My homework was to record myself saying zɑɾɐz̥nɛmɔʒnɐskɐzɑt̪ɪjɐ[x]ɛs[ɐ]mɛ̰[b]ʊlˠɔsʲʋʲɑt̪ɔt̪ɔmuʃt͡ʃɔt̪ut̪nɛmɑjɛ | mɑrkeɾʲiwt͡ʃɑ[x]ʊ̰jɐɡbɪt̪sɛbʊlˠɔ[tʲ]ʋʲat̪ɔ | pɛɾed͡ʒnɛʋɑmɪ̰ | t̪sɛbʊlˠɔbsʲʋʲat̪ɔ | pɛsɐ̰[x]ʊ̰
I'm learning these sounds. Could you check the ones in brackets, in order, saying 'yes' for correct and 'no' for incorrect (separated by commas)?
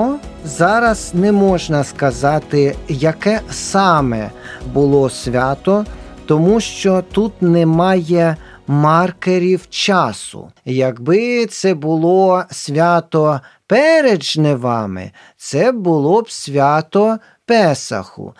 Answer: no, no, yes, no, no, yes